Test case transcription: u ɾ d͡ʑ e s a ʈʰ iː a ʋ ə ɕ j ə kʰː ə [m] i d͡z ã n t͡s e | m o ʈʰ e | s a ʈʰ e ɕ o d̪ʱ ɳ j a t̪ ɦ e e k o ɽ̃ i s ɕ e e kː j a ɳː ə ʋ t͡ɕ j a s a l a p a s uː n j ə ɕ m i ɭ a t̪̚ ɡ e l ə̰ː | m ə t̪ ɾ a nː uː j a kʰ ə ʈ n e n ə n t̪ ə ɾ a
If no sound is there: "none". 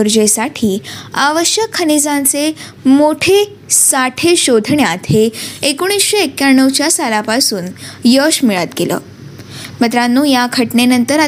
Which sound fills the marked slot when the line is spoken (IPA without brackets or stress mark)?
n